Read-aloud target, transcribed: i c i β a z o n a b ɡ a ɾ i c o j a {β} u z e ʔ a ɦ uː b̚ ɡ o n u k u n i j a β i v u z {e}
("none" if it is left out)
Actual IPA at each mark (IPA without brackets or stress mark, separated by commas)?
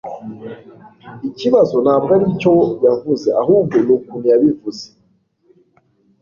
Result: v, e